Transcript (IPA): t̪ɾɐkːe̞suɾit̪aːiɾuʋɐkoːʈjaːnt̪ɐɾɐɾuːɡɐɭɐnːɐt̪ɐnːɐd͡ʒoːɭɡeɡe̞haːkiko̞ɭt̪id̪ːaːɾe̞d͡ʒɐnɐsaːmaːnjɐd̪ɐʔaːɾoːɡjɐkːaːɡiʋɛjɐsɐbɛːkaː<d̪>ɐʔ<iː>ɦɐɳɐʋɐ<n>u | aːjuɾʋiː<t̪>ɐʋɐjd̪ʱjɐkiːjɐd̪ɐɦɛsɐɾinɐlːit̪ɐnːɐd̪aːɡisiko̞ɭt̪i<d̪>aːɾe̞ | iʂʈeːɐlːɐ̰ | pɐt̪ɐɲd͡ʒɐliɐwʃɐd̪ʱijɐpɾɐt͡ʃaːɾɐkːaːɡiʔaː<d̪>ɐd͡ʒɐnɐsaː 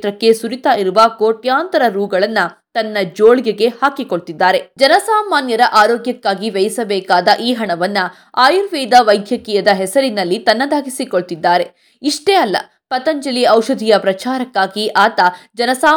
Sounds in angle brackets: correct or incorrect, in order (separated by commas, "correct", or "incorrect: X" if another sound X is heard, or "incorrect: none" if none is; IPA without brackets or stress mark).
correct, correct, incorrect: nː, incorrect: d̪, incorrect: d̪ː, incorrect: t̪